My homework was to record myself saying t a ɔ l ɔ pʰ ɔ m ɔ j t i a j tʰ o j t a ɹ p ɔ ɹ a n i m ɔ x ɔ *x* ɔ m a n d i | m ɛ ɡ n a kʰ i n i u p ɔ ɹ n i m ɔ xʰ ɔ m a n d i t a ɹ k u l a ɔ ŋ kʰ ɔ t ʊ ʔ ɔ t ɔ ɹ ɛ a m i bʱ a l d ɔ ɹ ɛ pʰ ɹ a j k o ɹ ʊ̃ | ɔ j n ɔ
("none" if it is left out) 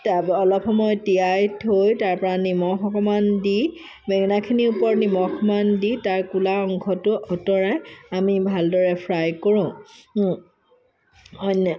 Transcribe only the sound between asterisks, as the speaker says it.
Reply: k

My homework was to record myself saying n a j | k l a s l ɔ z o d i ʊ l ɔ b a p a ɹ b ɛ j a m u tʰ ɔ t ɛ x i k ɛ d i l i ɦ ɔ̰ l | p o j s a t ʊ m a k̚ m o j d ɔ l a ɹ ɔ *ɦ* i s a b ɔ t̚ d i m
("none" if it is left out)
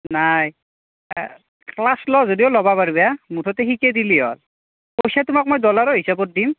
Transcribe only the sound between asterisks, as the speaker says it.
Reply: ɦ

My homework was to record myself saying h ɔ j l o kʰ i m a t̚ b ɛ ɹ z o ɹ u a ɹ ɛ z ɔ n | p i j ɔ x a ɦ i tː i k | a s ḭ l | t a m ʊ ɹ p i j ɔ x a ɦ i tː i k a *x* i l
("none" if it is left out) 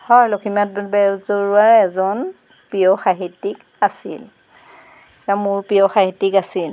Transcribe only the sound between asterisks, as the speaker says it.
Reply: s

